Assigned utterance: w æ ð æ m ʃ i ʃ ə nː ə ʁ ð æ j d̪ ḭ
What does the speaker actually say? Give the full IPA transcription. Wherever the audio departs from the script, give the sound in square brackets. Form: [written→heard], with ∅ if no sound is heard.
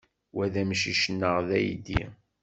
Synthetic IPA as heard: w æ ð æ m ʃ i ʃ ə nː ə ʁ ð æ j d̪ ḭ